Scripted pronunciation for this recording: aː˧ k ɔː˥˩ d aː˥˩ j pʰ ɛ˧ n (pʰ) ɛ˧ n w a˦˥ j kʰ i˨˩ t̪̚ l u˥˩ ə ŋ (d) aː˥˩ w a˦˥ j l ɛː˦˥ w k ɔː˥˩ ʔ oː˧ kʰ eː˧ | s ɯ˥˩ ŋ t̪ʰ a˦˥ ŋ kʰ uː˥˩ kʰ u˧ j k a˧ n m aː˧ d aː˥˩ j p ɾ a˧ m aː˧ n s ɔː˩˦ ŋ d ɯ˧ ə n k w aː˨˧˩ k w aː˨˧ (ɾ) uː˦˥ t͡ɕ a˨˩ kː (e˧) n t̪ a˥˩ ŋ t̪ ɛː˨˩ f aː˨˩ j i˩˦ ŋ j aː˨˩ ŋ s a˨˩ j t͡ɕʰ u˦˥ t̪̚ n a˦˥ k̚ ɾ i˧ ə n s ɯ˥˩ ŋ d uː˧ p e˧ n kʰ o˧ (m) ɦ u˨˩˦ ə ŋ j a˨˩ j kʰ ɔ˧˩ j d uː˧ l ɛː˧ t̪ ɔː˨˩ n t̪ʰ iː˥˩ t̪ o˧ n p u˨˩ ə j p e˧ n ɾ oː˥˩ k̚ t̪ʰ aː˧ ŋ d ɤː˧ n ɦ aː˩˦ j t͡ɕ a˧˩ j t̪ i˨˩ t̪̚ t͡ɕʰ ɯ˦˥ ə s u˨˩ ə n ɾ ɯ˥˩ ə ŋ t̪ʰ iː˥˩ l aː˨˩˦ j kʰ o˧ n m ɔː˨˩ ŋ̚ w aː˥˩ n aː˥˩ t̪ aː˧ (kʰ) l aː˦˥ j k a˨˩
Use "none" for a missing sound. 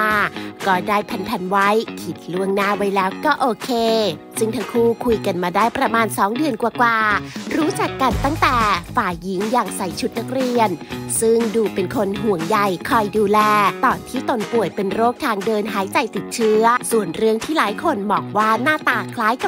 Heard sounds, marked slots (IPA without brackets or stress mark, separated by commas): pʰ, n, ɾ, a˧, n, kʰ